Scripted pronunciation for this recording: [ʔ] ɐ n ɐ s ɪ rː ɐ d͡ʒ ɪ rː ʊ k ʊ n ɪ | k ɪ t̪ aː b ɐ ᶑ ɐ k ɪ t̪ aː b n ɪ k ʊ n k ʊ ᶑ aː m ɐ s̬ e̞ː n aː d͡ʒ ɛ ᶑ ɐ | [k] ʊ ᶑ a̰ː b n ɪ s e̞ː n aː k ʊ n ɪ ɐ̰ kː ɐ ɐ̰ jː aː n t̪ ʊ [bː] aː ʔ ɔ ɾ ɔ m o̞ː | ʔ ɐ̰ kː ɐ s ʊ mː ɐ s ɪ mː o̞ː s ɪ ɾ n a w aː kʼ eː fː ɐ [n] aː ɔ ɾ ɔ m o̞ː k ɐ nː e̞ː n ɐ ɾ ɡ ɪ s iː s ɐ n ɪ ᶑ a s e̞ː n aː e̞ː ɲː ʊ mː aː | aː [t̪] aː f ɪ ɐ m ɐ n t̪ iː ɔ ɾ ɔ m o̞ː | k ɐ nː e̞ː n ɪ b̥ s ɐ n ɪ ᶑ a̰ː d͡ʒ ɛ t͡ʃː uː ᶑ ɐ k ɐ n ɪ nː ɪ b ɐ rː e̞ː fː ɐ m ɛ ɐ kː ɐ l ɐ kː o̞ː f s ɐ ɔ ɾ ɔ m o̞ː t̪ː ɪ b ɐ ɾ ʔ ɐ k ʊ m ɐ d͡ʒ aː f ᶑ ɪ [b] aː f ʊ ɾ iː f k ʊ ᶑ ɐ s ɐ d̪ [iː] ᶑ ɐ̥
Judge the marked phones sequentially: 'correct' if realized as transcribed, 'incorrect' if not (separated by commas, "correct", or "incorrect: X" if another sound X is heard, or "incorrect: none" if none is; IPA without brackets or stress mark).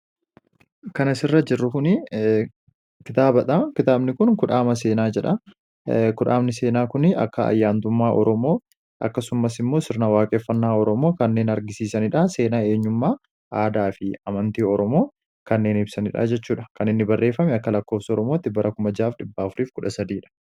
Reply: incorrect: k, correct, incorrect: mː, incorrect: nː, incorrect: d̪, incorrect: bː, correct